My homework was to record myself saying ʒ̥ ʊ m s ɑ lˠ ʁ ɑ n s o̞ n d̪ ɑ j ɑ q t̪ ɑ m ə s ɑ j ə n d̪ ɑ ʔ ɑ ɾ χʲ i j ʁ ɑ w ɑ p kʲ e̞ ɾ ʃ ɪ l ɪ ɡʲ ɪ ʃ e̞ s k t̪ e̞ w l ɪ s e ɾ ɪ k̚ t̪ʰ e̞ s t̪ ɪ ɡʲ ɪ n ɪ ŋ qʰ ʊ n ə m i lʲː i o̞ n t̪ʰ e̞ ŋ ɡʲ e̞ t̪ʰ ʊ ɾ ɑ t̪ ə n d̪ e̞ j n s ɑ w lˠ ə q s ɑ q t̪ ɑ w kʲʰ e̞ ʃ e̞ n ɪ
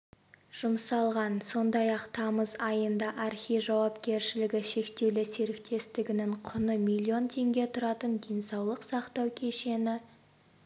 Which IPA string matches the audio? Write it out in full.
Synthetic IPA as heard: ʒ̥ ʊ m s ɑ lˠ ʁ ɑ n s o̞ n d̪ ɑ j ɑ q t̪ʰ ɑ m ə z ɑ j ə n d̪ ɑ ʔ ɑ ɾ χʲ i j ʒ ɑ w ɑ p kʲ e̞ ɾ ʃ ɪ l ɪ ɡʲ ɪ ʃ e̞ k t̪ e̞ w l ɪ s e ɾ ɪ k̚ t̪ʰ e̞ s t̪ ɪ ɡʲ ɪ n ɪ ŋ qʰ ʊ n ə m i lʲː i o̞ n t̪ʰ e̞ ŋ ɡʲ e̞ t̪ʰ ʊ ɾ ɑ t̪ ə n d̪ e̞ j n s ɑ w lˠ ə q s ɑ q t̪ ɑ w kʲʰ e̞ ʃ e̞ n ɪ